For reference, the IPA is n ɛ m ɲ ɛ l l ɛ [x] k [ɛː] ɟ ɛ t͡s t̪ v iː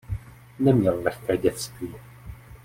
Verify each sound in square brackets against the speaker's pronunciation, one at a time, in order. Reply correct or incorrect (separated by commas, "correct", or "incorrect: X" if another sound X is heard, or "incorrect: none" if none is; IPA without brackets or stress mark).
correct, correct